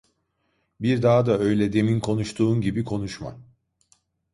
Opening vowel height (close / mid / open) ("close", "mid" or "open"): close